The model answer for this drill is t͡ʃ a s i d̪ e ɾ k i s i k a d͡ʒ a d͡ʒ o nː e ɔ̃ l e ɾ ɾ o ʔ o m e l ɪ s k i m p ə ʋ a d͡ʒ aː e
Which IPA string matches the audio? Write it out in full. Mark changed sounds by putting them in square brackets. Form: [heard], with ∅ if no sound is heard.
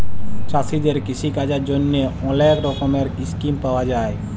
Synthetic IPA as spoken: t͡ʃ a s i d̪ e ɾ k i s i k a d͡ʒ a d͡ʒ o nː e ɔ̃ l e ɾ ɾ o [k] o m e [ɾ] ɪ s k i m p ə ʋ a d͡ʒ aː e